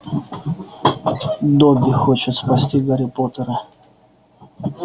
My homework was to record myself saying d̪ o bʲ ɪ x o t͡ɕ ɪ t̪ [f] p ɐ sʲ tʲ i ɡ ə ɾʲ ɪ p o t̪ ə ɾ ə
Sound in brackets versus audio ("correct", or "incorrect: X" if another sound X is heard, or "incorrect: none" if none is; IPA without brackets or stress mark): incorrect: s